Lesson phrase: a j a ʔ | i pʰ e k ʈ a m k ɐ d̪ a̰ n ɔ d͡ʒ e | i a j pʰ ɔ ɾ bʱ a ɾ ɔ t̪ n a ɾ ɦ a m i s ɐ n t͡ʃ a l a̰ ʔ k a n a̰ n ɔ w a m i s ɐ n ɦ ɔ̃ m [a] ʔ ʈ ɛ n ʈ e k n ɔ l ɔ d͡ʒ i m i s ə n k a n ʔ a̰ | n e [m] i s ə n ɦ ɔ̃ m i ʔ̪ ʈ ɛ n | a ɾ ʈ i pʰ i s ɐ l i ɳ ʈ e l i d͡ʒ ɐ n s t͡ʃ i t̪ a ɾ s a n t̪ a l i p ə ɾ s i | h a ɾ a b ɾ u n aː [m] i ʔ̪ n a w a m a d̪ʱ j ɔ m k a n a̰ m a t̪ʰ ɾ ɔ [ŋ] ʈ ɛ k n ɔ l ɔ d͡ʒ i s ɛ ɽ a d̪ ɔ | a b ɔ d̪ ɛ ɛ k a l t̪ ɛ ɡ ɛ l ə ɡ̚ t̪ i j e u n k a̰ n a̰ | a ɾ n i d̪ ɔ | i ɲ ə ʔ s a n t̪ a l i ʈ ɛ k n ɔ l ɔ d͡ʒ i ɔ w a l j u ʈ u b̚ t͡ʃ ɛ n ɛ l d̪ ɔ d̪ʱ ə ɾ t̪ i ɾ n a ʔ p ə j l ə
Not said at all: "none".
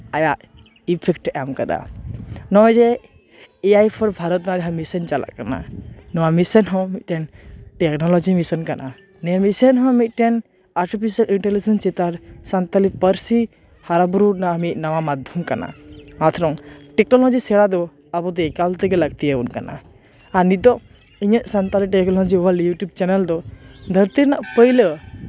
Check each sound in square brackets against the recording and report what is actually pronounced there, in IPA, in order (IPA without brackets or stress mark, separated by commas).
i, m, m, ŋ